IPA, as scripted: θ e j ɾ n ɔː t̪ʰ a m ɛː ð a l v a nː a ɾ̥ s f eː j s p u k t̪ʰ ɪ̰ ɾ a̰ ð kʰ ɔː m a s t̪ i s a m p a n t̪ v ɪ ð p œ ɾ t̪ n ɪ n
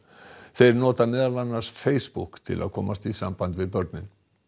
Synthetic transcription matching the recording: θ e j ɾ n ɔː t̪ a m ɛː ð a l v a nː a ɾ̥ s f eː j s p u k t̪ʰ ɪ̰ l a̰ ð kʰ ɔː m a s t̪ i s a m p a n t̪ v ɪ ð p œ ɾ t̪ n ɪ n